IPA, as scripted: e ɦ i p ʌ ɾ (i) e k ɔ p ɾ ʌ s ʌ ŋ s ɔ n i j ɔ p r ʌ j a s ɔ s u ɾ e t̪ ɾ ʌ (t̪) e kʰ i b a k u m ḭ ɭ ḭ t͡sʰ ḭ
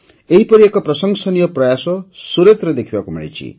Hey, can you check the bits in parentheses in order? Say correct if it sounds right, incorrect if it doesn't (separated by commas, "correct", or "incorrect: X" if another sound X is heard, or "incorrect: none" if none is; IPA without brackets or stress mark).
correct, incorrect: d̪